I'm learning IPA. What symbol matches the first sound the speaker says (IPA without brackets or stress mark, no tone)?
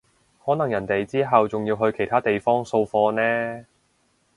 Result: h